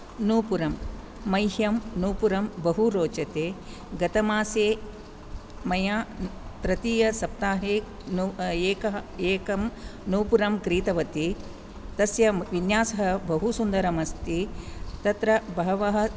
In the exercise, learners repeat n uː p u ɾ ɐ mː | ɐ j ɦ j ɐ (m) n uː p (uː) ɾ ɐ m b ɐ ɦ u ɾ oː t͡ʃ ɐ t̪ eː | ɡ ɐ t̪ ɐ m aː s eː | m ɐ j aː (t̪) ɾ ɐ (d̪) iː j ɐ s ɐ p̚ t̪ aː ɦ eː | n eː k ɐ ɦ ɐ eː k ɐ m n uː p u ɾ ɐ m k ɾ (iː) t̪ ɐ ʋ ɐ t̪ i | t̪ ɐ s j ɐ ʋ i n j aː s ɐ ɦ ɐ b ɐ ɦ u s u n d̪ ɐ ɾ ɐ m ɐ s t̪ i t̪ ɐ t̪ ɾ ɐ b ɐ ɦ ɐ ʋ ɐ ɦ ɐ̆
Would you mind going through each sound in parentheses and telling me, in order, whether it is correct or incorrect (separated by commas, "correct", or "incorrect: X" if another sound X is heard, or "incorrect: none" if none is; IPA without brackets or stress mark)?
correct, incorrect: u, correct, incorrect: t̪, correct